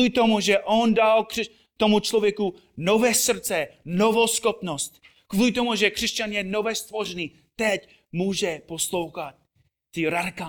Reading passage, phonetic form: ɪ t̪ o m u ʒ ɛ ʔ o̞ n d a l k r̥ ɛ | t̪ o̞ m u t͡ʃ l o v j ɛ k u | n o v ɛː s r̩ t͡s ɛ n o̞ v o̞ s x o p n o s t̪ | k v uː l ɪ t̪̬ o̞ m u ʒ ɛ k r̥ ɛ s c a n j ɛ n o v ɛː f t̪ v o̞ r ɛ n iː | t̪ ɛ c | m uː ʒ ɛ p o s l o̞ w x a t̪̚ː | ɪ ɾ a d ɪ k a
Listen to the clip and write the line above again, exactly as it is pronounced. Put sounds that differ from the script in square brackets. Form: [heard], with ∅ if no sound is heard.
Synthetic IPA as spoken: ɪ t̪ o m u ʒ ɛ ʔ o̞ n d a l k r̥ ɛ | t̪ o̞ m u t͡ʃ l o v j ɛ k u | n o v ɛː s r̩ t͡s ɛ n o̞ v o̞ s x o p n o s t̪ | k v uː l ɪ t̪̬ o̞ m u ʒ ɛ k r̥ ɛ s c a n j ɛ n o v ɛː [s] t̪ v o̞ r ɛ n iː | t̪ ɛ c | m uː ʒ ɛ p o s l o̞ w x a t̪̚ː | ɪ ɾ a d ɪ k a